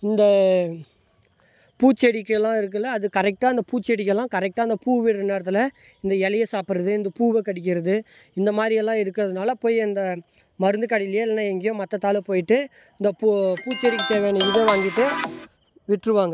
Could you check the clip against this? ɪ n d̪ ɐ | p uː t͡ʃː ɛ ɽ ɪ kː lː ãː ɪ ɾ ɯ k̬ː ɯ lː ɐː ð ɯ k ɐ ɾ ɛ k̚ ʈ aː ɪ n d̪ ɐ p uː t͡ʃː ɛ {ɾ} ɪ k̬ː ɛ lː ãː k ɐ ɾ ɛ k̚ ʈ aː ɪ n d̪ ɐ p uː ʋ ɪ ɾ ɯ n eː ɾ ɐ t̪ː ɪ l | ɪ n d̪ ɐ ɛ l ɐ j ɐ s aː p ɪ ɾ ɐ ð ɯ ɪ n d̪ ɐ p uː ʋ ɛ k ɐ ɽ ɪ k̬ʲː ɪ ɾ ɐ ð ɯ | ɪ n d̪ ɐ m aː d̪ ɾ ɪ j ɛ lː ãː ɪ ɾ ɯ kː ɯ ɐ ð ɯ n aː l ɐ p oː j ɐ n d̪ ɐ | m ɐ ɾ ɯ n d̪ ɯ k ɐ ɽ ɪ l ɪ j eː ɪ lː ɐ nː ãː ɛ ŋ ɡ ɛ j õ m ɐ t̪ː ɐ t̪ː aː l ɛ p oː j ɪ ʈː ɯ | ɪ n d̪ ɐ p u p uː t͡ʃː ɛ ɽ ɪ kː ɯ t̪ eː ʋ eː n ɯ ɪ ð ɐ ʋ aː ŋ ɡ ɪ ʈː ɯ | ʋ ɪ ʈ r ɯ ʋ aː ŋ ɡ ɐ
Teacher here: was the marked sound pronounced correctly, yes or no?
no